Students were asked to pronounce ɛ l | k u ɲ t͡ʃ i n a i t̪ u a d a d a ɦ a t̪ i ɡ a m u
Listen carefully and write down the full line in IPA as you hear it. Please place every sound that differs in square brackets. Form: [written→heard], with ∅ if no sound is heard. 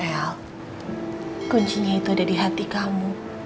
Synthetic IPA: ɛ l | k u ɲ t͡ʃ i [n→ɲ] a i t̪ u a d a d [a→i] ɦ a t̪ i [ɡ→k] a m u